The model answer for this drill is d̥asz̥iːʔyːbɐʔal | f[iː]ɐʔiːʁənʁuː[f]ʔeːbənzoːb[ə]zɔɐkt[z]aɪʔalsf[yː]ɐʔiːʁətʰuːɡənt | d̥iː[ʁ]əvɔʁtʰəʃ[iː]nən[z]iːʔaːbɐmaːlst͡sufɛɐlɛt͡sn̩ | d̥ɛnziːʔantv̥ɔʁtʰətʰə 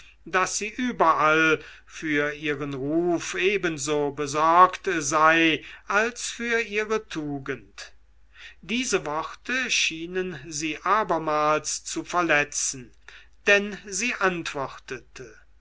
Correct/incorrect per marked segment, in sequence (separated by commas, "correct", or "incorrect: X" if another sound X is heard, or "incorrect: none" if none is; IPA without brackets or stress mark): incorrect: yː, correct, correct, correct, correct, incorrect: z, correct, correct